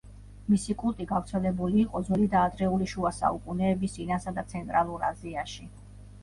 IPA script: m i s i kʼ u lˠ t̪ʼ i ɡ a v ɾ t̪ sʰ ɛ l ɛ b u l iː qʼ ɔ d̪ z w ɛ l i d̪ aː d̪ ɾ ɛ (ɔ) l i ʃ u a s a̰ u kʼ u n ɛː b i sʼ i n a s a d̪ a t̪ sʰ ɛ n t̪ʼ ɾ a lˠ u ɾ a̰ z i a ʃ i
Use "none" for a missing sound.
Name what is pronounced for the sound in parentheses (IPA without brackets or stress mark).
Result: u